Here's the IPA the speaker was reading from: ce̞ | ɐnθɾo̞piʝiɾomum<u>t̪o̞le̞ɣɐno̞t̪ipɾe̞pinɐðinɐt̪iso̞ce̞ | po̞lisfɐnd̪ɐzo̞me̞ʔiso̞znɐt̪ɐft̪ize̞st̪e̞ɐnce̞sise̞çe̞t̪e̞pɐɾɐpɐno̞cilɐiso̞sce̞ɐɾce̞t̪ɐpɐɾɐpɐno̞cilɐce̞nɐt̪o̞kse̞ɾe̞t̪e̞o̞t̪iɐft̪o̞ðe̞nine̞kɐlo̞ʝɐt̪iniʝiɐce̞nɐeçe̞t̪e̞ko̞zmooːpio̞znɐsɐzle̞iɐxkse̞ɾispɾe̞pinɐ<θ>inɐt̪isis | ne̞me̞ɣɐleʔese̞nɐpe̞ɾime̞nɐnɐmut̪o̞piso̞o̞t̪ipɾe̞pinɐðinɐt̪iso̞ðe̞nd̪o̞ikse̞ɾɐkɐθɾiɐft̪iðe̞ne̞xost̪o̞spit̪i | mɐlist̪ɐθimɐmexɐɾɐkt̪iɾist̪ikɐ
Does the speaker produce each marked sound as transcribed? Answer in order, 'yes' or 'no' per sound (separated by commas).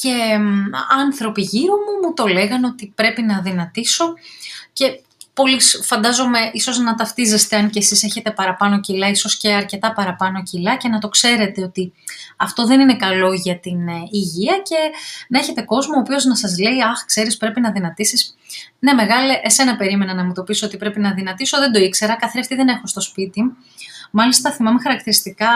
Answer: yes, no